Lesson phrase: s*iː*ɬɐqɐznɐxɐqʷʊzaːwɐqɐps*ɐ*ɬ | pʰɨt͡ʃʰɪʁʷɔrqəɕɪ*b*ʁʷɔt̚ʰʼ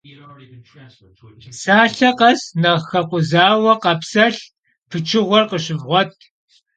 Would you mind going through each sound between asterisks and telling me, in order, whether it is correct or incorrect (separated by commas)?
incorrect, correct, incorrect